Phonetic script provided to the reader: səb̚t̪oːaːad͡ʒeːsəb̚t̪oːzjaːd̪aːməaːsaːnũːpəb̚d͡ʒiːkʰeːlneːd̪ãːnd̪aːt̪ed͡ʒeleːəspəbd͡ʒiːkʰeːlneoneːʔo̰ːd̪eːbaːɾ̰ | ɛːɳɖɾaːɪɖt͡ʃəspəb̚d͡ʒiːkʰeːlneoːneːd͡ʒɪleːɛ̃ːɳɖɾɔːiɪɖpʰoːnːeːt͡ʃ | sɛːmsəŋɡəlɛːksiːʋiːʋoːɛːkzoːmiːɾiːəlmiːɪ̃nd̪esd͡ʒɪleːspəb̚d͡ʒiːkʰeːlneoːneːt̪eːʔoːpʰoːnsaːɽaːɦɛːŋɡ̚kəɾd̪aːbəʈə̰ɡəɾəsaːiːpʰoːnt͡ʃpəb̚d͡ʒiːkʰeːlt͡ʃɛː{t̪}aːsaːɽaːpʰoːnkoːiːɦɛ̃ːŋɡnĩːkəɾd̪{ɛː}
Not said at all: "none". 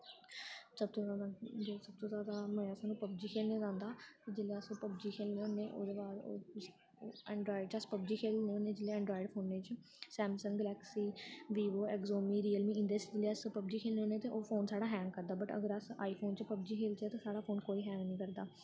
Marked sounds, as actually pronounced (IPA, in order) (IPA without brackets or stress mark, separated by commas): t̪, aː